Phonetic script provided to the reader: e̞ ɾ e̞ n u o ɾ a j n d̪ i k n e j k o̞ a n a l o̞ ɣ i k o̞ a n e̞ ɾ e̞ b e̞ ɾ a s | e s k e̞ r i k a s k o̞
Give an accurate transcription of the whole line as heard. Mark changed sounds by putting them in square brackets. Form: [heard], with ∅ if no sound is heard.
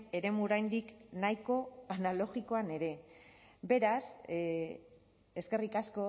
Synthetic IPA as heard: e̞ ɾ e̞ [m] u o ɾ a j n d̪ i k n [a] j k o̞ a n a l o̞ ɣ i k o̞ a n e̞ ɾ e̞ b e̞ ɾ a s | e s k e̞ r i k a s k o̞